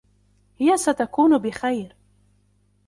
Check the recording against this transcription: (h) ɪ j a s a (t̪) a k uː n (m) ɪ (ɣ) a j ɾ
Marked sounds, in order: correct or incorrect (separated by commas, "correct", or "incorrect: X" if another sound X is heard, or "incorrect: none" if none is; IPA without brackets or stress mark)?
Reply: correct, correct, incorrect: b, incorrect: x